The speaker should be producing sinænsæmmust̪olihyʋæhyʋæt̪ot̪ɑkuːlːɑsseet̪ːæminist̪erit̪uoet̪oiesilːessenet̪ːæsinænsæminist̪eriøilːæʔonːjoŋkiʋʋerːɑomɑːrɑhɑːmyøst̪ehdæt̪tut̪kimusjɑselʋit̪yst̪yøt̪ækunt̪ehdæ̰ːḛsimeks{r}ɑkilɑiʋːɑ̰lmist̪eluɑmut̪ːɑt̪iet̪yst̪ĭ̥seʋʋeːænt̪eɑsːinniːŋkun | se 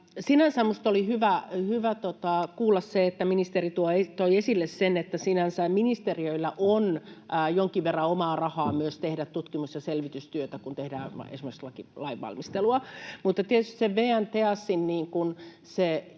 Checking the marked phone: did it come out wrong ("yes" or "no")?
yes